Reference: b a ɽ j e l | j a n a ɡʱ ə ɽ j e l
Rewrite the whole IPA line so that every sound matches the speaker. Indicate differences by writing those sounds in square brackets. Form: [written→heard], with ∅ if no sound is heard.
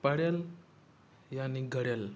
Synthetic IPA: [b→p] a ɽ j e l | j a n [a→i] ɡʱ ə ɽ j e l